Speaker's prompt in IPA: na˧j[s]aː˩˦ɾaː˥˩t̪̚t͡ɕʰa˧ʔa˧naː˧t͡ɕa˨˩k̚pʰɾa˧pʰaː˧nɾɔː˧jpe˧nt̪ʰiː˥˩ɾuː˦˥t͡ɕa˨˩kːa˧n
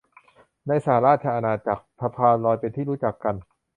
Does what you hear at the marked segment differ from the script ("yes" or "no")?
no